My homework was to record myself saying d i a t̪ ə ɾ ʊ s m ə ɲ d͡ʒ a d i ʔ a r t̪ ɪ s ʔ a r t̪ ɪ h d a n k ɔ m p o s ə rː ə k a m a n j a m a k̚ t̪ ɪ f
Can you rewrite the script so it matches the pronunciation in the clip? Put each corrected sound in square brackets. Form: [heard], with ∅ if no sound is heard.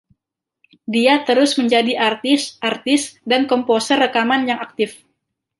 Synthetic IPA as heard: d i a t̪ ə ɾ ʊ s m ə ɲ d͡ʒ a d i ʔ a r t̪ ɪ s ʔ a r t̪ ɪ [s] d a n k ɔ m p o s ə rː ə k a m a n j a [ŋ] a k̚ t̪ ɪ f

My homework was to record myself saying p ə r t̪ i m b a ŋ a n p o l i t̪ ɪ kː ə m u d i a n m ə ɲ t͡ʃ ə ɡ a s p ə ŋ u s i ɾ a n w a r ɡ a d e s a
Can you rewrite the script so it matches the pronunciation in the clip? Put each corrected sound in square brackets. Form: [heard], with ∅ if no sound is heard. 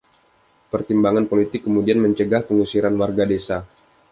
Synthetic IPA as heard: p ə r t̪ i m b a ŋ a n p o l i t̪ ɪ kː ə m u d i a n m ə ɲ t͡ʃ ə ɡ a [h] p ə ŋ u s i ɾ a n w a r ɡ a d e s a

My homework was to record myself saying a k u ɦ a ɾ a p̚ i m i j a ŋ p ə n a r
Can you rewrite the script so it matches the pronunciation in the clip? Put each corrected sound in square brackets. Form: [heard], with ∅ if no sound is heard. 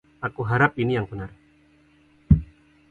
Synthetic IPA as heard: a k u ɦ a ɾ a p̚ i [n] i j a ŋ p ə n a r

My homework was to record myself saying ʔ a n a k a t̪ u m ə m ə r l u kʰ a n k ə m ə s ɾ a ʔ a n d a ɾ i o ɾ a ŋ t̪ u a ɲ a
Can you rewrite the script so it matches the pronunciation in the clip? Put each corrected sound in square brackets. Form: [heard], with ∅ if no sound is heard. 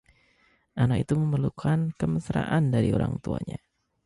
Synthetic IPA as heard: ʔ a n a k [i] t̪ u m ə m ə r l u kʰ a n k ə m ə s ɾ a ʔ a n d a ɾ i o ɾ a ŋ t̪ u a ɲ a

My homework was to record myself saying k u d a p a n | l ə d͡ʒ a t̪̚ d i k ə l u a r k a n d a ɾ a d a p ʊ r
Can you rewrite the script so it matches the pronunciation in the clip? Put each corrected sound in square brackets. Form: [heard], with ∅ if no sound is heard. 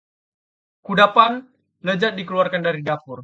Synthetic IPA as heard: k u d a p a n | l ə d͡ʒ a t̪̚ d i k ə l u a r k a n d a ɾ [i] d a p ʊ r

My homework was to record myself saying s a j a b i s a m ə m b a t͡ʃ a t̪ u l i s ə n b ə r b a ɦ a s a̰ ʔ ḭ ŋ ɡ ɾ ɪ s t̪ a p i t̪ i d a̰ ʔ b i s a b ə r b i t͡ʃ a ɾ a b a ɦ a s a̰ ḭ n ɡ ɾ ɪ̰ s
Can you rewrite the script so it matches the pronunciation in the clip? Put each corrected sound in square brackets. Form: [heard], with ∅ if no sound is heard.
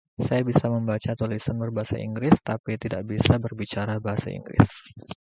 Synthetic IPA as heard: s a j a b i s a m ə m b a t͡ʃ a t̪ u l i s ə n b ə r b a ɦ a s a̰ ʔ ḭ ŋ ɡ ɾ ɪ s t̪ a p i t̪ i d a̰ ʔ b i s a b ə r b i t͡ʃ a ɾ a b a ɦ a s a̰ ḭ [ŋ] ɡ ɾ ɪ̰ s

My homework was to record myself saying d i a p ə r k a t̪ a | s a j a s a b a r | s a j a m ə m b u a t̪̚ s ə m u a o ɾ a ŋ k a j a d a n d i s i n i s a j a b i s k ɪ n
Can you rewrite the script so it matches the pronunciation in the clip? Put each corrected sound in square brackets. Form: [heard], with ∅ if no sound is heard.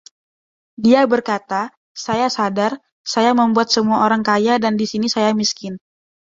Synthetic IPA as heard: d i a [b] ə r k a t̪ a | s a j a s a [d] a r | s a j a m ə m b u a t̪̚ s ə m u a o ɾ a ŋ k a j a d a n d i s i n i s a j a [m] i s k ɪ n

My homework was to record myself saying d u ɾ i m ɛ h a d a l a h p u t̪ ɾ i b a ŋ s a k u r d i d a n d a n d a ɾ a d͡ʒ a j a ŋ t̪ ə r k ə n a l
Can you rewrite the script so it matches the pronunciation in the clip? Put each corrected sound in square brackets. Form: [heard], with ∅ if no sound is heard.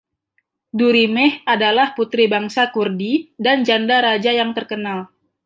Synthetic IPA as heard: d u ɾ i m ɛ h a d a l a h p u t̪ ɾ i b a ŋ s a k u r d i d a n [d͡ʒ] a n d a ɾ a d͡ʒ a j a ŋ t̪ ə r k ə n a l

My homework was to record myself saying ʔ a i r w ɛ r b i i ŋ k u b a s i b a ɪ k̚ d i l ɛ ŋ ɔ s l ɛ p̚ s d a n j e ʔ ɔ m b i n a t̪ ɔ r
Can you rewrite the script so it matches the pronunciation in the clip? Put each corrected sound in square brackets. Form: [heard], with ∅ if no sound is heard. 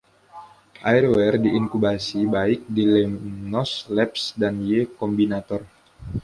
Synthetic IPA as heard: ʔ a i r w ɛ r [d] i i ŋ k u b a s i b a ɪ k̚ d i l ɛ [n] ɔ s l ɛ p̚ s d a n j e [k] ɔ m b i n a t̪ ɔ r

